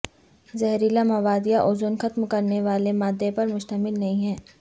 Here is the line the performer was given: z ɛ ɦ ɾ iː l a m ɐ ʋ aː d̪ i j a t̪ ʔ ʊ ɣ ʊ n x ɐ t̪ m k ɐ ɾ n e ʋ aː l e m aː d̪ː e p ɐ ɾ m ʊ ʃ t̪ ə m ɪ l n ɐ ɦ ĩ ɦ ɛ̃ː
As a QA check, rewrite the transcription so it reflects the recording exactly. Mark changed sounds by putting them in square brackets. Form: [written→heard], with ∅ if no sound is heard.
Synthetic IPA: z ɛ ɦ ɾ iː l a m ɐ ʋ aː d̪ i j a [t̪→∅] ʔ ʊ [ɣ→z] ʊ n x ɐ t̪ m k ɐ ɾ n e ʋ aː l e m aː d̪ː e p ɐ ɾ m ʊ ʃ t̪ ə m ɪ l n ɐ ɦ ĩ ɦ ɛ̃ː

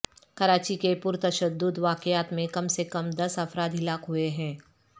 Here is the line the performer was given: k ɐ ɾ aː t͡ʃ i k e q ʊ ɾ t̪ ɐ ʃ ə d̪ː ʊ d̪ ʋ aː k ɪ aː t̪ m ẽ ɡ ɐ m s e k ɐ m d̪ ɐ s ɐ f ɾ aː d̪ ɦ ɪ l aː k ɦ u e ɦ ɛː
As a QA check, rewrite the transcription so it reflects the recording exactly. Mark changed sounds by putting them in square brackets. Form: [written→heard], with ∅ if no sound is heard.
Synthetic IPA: k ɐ ɾ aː t͡ʃ i k e [q→p] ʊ ɾ t̪ ɐ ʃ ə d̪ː ʊ d̪ ʋ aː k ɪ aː t̪ m ẽ [ɡ→k] ɐ m s e k ɐ m d̪ ɐ s ɐ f ɾ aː d̪ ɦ ɪ l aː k ɦ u e ɦ [ɛː→ɛ̃ː]

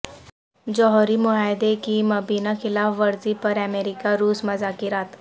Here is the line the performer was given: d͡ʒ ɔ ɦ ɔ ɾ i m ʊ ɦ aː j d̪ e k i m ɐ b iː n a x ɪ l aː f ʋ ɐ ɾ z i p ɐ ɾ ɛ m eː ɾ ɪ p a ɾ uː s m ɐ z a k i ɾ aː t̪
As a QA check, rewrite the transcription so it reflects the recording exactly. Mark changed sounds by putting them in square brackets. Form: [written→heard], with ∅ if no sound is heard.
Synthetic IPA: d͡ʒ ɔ ɦ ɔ ɾ i m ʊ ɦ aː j d̪ e k i m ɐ b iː n a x ɪ l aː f ʋ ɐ ɾ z i p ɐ ɾ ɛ m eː ɾ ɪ [p→k] a ɾ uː s m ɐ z a k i ɾ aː t̪

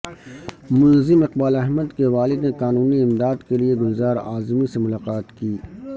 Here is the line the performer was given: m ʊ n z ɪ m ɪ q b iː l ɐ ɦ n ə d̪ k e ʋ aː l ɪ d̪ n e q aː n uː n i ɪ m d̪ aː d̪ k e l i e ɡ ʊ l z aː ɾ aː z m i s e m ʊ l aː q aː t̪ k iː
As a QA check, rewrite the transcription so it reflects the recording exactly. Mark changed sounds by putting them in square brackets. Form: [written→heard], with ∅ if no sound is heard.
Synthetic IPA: m ʊ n z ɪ m ɪ q b [iː→aː] l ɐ ɦ [n→m] ə d̪ k e ʋ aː l ɪ d̪ n e q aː n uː n i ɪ m d̪ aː d̪ k e l i e ɡ ʊ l z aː ɾ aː z m i s e m ʊ l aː q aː t̪ k iː

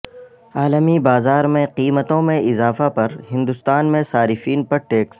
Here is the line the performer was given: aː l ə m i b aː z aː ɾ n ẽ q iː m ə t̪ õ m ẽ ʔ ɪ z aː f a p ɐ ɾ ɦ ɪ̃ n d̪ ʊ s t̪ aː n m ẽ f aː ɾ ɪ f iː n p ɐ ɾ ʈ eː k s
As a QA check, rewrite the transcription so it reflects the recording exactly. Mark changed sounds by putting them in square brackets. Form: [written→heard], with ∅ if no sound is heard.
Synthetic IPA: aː l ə m i b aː z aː ɾ [n→m] ẽ q iː m ə t̪ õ m ẽ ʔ ɪ z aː f a p ɐ ɾ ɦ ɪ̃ n d̪ ʊ s t̪ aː n m ẽ [f→s] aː ɾ ɪ f iː n p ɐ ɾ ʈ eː k s

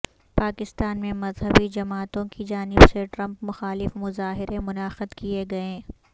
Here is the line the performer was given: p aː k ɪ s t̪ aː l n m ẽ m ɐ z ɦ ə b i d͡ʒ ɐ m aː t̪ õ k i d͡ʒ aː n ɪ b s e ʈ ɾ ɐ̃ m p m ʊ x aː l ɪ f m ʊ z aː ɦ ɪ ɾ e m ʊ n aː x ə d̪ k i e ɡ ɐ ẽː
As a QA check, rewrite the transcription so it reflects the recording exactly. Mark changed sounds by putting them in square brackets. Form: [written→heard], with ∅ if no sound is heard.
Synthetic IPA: p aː k ɪ s t̪ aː [l→∅] n m ẽ m ɐ z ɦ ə b i d͡ʒ ɐ m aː t̪ õ k i d͡ʒ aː n ɪ b s e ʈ ɾ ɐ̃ m p m ʊ x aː l ɪ f m ʊ z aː ɦ ɪ ɾ e m ʊ n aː x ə d̪ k i e ɡ ɐ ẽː

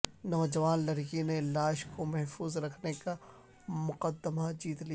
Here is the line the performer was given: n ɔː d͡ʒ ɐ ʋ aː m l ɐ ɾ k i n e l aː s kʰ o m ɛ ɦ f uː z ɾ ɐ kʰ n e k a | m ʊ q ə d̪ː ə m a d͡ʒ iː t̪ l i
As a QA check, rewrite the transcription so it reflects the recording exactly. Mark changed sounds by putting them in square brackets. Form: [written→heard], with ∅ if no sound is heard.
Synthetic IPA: n ɔː d͡ʒ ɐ ʋ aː [m→n] l ɐ ɾ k i n e l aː [s→ʃ] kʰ o m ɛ ɦ f uː z ɾ ɐ kʰ n e k a | m ʊ q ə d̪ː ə m a d͡ʒ iː t̪ l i

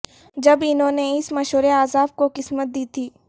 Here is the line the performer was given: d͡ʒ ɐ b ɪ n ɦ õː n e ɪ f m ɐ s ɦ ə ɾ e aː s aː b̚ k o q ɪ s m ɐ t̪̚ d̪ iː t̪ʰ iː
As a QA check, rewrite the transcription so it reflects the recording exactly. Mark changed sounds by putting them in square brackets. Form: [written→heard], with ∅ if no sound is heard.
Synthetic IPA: d͡ʒ ɐ b ɪ n ɦ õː n e ɪ [f→s] m ɐ [s→ʃ] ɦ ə ɾ e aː [s→z] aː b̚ k o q ɪ s m [ɐ→ə] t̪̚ d̪ iː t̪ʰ iː

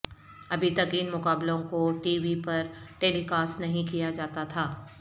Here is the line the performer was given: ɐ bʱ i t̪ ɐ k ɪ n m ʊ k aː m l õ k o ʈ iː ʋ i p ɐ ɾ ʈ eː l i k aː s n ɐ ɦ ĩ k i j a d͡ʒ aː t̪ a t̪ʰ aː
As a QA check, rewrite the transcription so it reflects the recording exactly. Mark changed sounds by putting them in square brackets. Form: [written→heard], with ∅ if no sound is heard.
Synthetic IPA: ɐ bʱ i t̪ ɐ k ɪ n m ʊ k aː [m→b] l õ k o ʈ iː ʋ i p ɐ ɾ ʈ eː l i k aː s n ɐ ɦ ĩ k i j a d͡ʒ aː t̪ a t̪ʰ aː

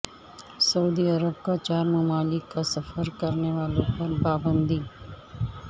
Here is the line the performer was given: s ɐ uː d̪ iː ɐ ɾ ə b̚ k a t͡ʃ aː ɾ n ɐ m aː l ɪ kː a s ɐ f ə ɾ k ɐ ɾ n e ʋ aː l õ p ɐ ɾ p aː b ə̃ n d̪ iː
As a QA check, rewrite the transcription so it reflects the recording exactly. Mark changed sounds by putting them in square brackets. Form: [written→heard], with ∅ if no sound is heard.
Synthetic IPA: s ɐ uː d̪ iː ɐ ɾ ə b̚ k a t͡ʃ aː ɾ [n→m] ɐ m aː l ɪ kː a s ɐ f ə ɾ k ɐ ɾ n e ʋ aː l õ p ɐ ɾ p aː b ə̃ n d̪ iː

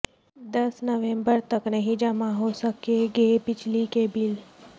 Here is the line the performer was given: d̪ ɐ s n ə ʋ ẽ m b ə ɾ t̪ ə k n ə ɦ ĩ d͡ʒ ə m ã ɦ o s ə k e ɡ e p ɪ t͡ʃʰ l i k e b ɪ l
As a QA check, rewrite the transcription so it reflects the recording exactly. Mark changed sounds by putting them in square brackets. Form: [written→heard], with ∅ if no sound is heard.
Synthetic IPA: d̪ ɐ s n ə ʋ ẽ m b ə ɾ t̪ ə k n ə ɦ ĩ d͡ʒ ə m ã ɦ o s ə k e ɡ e p ɪ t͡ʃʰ l i k e b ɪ l

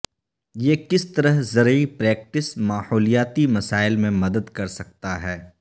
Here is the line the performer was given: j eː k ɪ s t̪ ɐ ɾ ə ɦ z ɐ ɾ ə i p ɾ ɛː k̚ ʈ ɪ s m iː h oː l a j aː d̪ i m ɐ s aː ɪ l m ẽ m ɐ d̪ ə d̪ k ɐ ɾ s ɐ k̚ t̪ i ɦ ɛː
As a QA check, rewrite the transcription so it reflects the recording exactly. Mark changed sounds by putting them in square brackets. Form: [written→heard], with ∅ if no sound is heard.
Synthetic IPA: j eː k ɪ s t̪ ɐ ɾ ə ɦ z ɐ ɾ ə i p ɾ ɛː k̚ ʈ ɪ s m [iː→aː] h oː l [a→i] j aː [d̪→t̪] i m ɐ s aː ɪ l m ẽ m ɐ d̪ ə d̪ k ɐ ɾ s ɐ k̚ t̪ [i→a] ɦ ɛː

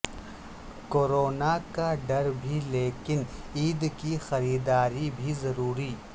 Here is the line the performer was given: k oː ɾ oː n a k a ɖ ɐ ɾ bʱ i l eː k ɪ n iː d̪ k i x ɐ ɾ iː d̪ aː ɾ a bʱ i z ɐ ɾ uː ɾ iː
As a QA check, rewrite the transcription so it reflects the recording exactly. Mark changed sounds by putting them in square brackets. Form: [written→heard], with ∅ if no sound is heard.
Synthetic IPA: k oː ɾ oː n a k a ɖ ɐ ɾ bʱ i l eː k ɪ n iː d̪ k i x ɐ ɾ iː d̪ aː ɾ [a→i] bʱ i z ɐ ɾ uː ɾ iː

